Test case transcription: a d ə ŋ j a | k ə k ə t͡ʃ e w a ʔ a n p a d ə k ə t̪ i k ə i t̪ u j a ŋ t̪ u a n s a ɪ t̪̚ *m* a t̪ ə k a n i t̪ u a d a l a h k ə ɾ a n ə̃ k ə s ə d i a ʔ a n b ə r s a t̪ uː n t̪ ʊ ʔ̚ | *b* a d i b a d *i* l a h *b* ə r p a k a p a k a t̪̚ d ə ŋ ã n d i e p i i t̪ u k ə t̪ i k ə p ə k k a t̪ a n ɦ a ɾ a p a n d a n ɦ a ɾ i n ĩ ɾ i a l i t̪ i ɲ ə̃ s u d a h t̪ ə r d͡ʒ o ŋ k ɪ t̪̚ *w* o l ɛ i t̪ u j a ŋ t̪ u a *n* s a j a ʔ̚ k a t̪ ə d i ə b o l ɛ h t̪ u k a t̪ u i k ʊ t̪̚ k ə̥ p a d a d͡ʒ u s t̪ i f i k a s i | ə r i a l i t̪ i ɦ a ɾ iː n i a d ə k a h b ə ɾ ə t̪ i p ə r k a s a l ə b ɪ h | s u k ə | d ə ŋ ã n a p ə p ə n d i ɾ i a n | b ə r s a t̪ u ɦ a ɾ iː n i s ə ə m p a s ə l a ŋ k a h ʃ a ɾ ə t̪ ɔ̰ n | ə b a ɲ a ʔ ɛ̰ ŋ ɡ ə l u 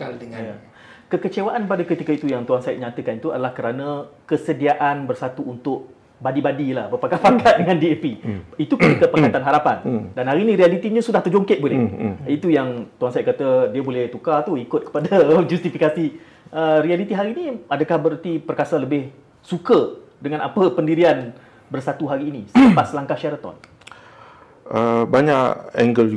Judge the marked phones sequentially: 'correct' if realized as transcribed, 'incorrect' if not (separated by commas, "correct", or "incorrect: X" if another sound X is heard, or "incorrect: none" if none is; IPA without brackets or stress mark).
incorrect: ɲ, correct, correct, correct, incorrect: b, correct